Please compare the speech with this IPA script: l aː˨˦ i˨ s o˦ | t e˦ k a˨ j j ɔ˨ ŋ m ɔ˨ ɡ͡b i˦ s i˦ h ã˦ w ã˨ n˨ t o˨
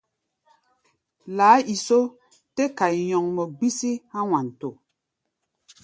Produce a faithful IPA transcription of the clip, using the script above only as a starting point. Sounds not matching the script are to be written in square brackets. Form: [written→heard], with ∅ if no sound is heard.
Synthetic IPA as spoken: l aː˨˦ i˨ s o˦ | t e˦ k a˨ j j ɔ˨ ŋ m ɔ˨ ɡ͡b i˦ s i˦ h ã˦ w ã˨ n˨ t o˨